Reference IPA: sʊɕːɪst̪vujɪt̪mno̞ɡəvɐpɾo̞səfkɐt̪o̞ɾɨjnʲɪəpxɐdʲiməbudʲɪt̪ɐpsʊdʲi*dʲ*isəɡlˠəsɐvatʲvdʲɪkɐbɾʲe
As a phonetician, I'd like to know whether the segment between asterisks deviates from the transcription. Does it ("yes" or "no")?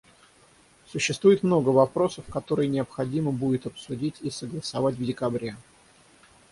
yes